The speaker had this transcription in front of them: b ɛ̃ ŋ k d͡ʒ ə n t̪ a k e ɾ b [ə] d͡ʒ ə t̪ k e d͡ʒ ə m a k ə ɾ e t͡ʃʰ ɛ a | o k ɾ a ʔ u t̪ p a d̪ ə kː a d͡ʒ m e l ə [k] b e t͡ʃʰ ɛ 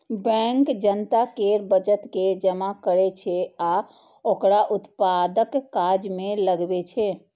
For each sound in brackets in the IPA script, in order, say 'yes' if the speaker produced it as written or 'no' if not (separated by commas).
yes, no